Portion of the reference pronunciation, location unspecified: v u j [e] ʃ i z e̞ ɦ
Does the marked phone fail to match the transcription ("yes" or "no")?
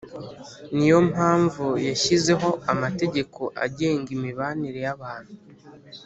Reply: yes